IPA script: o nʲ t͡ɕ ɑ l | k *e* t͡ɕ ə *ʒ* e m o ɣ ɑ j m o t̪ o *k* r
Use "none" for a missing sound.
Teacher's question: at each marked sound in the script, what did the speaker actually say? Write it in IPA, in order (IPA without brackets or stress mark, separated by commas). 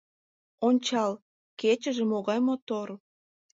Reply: e, ʒ, none